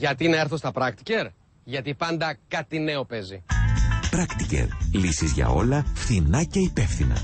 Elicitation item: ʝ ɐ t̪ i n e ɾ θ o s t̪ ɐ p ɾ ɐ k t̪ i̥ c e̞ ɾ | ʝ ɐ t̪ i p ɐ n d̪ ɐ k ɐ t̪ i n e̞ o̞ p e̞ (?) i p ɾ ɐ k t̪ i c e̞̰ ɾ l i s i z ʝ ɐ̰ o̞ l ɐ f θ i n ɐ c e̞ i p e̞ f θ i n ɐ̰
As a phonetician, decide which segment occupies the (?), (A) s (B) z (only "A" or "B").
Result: B